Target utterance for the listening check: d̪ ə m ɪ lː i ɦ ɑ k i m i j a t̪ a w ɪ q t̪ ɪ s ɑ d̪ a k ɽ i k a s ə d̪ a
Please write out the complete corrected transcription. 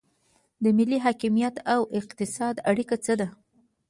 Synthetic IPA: d̪ ə m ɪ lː i ɦ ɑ k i m i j a t̪ a w ɪ q t̪ ɪ s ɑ d̪ a ɽ i k a t͡s ə d̪ a

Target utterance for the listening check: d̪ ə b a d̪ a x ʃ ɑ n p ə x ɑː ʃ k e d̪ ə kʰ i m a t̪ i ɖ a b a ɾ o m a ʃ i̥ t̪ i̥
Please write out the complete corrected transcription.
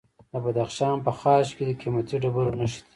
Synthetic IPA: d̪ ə b a d̪ a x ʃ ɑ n p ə x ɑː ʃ k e d̪ ə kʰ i m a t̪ i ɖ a b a ɾ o n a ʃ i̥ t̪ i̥

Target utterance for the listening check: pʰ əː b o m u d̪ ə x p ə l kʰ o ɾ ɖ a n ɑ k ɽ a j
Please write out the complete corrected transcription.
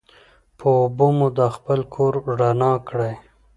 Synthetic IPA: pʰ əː b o m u d̪ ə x p ə l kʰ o ɾ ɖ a n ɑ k ɽ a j

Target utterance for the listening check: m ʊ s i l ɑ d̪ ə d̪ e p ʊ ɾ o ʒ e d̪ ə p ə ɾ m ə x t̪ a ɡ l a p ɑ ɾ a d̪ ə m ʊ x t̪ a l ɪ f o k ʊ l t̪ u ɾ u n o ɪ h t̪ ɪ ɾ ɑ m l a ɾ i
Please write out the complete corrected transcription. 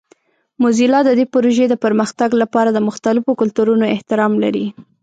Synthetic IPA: m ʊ z i l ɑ d̪ ə d̪ e p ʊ ɾ o ʒ e d̪ ə p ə ɾ m ə x t̪ a ɡ l a p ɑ ɾ a d̪ ə m ʊ x t̪ a l ɪ f o k ʊ l t̪ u ɾ u n o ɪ h t̪ ɪ ɾ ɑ m l a ɾ i

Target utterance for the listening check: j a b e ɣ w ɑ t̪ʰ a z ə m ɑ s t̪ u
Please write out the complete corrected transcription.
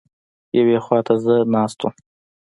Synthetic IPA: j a w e x w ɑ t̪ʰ a z ə n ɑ s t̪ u

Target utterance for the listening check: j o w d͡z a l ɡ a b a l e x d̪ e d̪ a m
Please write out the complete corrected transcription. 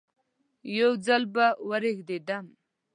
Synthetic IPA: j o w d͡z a l b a w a ɾ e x d̪ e d̪ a m

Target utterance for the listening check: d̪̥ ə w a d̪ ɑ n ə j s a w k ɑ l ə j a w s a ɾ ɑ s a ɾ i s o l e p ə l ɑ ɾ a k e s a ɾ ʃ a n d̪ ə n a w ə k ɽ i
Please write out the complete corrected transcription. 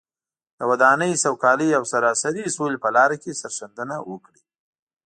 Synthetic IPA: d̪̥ ə w a d̪ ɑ n ə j s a w k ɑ l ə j a w s a ɾ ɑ s a ɾ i s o l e p ə l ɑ ɾ a k e s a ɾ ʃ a n d̪ ə n a w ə k ɽ i

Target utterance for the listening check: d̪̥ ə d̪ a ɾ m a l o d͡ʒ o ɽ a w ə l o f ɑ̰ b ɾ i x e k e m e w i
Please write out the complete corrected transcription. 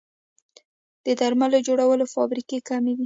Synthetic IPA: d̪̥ ə d̪ a ɾ m a l o d͡ʒ o ɽ a w ə l o f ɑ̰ b ɾ i k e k a m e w i

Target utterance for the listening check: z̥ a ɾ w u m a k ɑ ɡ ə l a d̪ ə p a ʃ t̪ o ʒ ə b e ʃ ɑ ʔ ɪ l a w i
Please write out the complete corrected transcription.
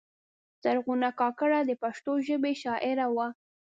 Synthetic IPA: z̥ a ɾ ɣ u n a k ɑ k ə ɽ a d̪ ə p a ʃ t̪ o ʒ ə b e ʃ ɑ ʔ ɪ ɾ a w a

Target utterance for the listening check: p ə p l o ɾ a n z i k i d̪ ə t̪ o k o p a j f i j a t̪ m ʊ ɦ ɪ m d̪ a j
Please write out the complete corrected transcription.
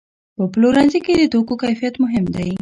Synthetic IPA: p ə p l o ɾ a n z i k e d̪ ə t̪ o k o k a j f i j a t̪ m ʊ ɦ ɪ m d̪ a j

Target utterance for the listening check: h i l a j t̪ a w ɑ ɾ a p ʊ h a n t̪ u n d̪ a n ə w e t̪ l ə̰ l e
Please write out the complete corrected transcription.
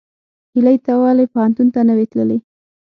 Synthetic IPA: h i l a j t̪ a w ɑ l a p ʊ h a n t̪ u n t̪ a n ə w e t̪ l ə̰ l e

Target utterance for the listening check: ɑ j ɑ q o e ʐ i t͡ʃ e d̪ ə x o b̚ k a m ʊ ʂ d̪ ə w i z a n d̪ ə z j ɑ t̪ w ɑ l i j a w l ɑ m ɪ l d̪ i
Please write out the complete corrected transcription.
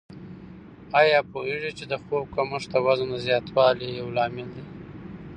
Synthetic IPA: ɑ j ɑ p o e ʐ i t͡ʃ e d̪ ə x o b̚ k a m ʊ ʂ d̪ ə w a z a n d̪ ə z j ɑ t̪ w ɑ l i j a w l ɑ m ɪ l d̪ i

